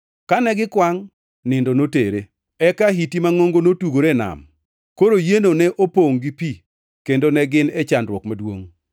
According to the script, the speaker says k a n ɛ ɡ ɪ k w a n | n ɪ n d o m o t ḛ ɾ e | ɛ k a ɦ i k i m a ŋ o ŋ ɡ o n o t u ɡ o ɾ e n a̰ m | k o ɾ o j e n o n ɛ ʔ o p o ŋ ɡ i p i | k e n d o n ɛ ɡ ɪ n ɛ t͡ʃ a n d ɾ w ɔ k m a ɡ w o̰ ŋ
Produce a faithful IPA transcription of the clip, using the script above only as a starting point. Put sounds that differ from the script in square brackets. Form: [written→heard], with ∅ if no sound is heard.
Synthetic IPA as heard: k a n ɛ ɡ ɪ k w a [n→ŋ] | n ɪ n d o [m→n] o t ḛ ɾ e | ɛ k a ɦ i [k→t] i m a ŋ o ŋ ɡ o n o t u ɡ o ɾ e n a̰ m | k o ɾ o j e n o n ɛ ʔ o p o ŋ ɡ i p i | k e n d o n ɛ ɡ ɪ n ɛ t͡ʃ a n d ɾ w ɔ k m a [ɡ→d] w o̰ ŋ